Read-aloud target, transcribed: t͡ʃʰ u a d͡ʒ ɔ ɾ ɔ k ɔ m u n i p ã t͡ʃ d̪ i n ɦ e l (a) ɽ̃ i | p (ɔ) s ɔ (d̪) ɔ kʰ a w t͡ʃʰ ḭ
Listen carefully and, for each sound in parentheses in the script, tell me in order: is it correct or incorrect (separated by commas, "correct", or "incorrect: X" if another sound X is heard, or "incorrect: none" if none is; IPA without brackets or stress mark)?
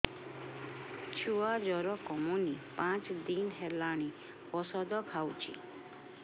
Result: correct, correct, correct